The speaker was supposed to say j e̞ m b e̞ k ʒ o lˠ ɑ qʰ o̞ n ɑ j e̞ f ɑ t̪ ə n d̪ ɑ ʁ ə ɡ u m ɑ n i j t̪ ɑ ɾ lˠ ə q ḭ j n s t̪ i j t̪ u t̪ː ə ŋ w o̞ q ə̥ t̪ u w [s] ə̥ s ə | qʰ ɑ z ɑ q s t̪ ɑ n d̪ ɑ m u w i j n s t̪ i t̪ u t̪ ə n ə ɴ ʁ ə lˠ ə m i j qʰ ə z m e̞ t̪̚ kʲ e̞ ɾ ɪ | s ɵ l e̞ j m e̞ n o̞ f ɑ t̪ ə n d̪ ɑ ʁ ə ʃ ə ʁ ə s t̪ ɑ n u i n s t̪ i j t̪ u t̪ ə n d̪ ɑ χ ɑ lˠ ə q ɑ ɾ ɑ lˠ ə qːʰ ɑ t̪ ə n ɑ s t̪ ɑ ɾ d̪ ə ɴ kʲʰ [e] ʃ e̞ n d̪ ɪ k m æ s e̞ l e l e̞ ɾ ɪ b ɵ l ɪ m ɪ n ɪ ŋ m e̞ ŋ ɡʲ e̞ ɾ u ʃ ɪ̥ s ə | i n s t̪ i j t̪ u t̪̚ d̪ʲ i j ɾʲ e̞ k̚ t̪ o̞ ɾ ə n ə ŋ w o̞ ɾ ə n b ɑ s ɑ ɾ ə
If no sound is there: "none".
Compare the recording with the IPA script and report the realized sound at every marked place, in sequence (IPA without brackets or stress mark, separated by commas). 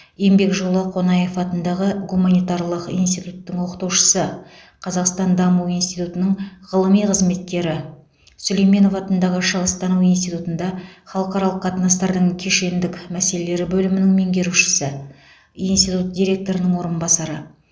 ʃ, e